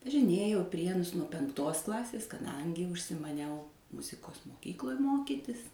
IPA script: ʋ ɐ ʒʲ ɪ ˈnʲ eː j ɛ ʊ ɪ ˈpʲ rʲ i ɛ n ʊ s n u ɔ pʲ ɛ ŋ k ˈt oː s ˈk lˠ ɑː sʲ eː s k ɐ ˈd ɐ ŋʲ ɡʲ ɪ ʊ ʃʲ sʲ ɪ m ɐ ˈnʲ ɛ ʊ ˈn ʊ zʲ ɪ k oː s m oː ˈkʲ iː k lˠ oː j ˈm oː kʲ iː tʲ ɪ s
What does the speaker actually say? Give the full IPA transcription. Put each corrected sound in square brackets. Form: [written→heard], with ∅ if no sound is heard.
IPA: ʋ ɐ ʒʲ ɪ ˈnʲ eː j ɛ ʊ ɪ ˈpʲ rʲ i ɛ n ʊ s n u ɔ pʲ ɛ ŋ k ˈt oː s ˈk lˠ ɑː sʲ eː s k ɐ ˈd ɐ ŋʲ ɡʲ ɪ ʊ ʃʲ sʲ ɪ m ɐ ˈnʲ ɛ ʊ [ˈn→ˈm] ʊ zʲ ɪ k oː s m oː ˈkʲ iː k lˠ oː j ˈm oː kʲ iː tʲ ɪ s